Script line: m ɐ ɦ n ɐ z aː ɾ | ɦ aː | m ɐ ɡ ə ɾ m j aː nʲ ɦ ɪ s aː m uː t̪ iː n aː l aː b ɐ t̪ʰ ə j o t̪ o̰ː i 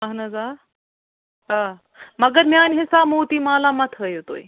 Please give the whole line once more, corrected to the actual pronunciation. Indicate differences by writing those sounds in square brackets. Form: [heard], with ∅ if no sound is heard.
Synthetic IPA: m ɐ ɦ n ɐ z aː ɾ | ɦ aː | m ɐ ɡ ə ɾ m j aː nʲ ɦ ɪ s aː m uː t̪ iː [m] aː l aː [m] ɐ t̪ʰ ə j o t̪ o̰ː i